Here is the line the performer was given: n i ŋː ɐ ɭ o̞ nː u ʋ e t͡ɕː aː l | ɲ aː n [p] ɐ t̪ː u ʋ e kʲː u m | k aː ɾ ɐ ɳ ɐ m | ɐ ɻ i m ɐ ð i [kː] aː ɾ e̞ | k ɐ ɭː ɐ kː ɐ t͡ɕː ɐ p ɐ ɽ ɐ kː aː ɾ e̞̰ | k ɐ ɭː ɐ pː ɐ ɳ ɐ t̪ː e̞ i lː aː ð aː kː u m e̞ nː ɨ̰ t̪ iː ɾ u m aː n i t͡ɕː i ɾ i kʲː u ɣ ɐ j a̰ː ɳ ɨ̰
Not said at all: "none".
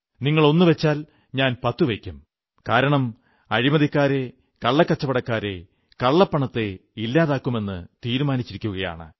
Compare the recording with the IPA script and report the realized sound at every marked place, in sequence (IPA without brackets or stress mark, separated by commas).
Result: p, kː